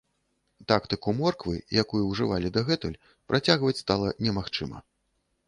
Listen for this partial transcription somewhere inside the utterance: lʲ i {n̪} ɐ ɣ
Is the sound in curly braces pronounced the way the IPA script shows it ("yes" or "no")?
no